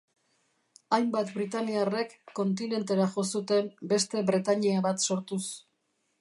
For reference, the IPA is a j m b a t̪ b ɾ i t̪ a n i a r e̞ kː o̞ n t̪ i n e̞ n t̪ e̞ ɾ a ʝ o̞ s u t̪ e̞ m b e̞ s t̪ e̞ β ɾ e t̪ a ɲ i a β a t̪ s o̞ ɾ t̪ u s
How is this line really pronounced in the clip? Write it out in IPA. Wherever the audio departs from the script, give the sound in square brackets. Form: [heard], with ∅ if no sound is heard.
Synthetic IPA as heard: a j m b a t̪ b ɾ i t̪ a n i a r e̞ kː o̞ n t̪ i n e̞ n t̪ e̞ ɾ a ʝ o̞ s u t̪ e̞ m b e̞ s t̪ e̞ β ɾ e t̪ a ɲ i a β a t̪ s o̞ ɾ t̪ u s